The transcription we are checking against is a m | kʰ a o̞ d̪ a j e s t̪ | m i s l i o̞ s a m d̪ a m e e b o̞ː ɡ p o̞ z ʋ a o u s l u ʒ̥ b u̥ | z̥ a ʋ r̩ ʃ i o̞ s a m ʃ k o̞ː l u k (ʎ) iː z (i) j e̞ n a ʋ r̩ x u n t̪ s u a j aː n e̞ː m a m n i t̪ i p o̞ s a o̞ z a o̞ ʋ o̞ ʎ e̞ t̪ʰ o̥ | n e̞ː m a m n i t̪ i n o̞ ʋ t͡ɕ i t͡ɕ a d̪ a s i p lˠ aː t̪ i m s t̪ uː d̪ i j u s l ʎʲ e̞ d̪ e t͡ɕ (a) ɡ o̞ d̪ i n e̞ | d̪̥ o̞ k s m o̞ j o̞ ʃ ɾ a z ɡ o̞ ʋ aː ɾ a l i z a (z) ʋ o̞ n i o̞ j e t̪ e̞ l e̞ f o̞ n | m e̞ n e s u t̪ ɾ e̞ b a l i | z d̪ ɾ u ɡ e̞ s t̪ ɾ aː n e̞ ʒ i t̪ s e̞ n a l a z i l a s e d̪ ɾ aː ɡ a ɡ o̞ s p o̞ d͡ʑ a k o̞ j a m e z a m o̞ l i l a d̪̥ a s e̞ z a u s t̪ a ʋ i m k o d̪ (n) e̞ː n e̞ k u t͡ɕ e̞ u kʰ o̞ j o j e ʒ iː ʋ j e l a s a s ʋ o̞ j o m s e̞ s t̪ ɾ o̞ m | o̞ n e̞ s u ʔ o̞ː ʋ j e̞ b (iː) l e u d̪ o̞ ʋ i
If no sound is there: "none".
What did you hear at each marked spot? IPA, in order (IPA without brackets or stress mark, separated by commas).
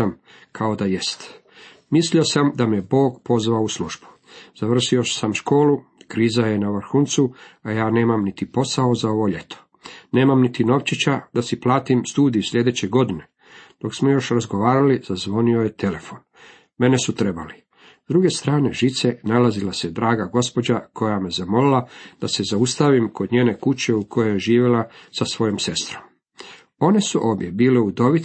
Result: ɾ, a, e, z, ɲ, iː